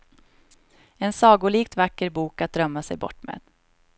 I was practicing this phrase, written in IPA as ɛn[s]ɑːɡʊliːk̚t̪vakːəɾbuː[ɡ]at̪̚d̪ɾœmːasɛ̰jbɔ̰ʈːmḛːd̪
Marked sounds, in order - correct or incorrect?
correct, incorrect

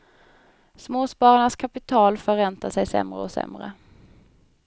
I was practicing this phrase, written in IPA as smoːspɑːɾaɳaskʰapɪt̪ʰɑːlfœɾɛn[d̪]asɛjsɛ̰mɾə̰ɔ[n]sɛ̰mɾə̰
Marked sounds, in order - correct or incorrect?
incorrect, incorrect

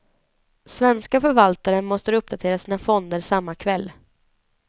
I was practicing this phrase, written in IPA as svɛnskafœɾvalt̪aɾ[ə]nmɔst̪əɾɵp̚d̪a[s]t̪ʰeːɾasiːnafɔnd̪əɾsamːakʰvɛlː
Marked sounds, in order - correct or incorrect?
correct, incorrect

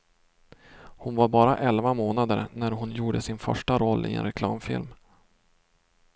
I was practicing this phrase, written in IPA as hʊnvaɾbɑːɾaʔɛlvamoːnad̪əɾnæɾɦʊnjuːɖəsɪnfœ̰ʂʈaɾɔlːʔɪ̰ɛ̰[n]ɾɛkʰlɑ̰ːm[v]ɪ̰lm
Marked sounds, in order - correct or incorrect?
correct, incorrect

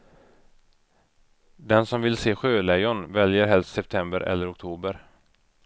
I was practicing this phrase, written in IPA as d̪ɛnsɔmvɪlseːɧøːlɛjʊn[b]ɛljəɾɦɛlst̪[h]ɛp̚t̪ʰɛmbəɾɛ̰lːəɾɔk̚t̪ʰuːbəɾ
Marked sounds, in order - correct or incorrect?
incorrect, incorrect

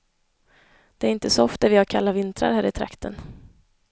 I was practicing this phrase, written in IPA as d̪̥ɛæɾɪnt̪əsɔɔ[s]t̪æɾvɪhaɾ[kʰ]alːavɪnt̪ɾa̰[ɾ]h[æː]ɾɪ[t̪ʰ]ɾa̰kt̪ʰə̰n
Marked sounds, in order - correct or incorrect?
incorrect, correct, correct, correct, correct

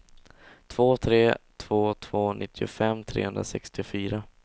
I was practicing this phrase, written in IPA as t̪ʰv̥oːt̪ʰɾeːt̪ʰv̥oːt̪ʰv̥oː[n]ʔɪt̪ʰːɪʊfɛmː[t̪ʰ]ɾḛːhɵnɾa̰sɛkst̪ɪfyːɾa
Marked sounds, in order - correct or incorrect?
correct, correct

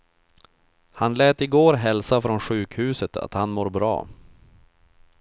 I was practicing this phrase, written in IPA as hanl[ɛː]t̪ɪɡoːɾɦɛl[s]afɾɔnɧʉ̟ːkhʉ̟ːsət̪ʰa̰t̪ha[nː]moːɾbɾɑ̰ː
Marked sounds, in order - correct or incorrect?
correct, correct, incorrect

